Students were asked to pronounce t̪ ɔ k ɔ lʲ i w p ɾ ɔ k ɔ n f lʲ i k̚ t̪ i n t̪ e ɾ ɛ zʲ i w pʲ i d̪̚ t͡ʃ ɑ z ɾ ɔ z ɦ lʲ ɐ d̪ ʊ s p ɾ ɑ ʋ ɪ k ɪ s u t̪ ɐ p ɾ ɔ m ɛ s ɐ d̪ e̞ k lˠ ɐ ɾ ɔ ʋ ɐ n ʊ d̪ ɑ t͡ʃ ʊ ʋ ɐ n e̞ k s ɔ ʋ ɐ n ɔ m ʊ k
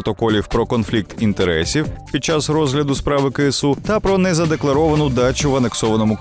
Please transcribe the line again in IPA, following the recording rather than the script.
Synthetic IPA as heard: t̪ ɔ k ɔ lʲ i w p ɾ ɔ k ɔ n f lʲ i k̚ t̪ i n t̪ e ɾ ɛ sʲ i w pʲ i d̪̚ t͡ʃ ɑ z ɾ ɔ z ɦ lʲ ɐ d̪ ʊ s p ɾ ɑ ʋ ɪ k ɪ s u t̪ ɐ p ɾ ɔ n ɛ z ɐ d̪ e̞ k lˠ ɐ ɾ ɔ ʋ ɐ n ʊ d̪ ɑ t͡ʃ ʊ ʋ ɐ n e̞ k s ɔ ʋ ɐ n ɔ m ʊ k